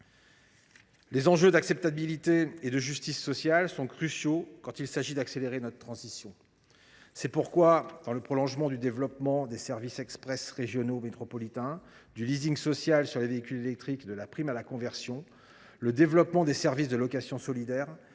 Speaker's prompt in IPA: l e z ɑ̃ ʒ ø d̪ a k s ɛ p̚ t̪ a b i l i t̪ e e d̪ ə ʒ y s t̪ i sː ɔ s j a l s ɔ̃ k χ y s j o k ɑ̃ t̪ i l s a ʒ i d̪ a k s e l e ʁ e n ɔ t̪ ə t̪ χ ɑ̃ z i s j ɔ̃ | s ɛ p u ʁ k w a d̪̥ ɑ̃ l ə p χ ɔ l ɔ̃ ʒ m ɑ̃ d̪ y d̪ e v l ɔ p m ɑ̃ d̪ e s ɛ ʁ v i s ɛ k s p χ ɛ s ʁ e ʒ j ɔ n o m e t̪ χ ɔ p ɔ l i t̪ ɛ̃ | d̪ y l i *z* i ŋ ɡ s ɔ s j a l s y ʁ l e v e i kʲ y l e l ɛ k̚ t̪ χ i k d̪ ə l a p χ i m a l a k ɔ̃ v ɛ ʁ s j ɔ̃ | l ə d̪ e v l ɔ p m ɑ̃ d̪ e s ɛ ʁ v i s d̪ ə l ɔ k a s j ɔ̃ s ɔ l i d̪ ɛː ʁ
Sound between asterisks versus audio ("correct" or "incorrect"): correct